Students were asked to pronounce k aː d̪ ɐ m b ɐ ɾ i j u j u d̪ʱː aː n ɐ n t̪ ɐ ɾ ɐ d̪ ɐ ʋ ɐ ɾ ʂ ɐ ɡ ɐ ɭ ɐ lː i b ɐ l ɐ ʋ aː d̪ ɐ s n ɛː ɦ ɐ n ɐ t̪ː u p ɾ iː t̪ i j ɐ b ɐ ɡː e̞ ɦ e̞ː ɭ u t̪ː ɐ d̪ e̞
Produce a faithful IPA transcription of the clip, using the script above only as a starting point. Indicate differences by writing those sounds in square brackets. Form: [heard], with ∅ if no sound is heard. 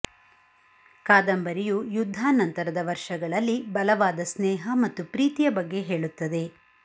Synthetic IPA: k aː d̪ ɐ m b ɐ ɾ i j u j u d̪ʱː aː n ɐ n t̪ ɐ ɾ ɐ d̪ ɐ ʋ ɐ ɾ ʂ ɐ ɡ ɐ ɭ ɐ lː i b ɐ l ɐ ʋ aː d̪ ɐ s n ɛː ɦ ɐ [m] ɐ t̪ː u p ɾ iː t̪ i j ɐ b ɐ ɡː e̞ ɦ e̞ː ɭ u t̪ː ɐ d̪ e̞